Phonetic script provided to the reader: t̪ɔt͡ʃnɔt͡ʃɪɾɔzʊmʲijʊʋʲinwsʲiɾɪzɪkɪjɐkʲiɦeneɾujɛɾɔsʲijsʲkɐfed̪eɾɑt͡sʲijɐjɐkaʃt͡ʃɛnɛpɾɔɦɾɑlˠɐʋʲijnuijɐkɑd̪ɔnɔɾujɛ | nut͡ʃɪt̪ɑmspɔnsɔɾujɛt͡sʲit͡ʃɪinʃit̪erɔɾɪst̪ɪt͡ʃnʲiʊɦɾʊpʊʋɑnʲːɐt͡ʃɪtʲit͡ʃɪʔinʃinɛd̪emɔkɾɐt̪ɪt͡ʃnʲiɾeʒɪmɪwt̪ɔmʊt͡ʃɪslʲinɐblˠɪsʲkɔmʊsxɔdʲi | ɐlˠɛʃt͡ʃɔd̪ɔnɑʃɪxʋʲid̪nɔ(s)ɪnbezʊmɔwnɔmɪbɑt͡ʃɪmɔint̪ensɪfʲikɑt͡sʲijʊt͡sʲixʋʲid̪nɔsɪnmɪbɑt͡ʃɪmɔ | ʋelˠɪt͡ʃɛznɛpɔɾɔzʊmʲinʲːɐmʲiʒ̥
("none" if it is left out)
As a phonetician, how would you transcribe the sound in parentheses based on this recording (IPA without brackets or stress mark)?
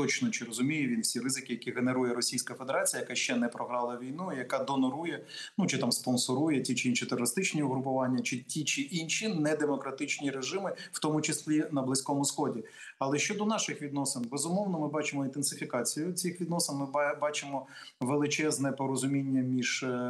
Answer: s